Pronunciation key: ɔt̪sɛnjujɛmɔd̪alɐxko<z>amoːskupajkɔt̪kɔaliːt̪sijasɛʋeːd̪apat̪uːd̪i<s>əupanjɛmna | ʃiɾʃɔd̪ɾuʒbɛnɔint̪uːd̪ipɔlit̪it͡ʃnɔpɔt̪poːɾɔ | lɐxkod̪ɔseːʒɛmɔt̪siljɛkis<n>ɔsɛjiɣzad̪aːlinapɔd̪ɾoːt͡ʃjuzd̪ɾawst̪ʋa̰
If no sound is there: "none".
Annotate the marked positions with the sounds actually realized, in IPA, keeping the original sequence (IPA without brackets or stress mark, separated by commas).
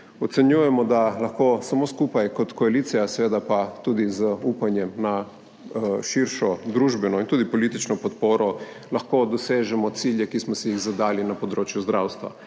s, z, m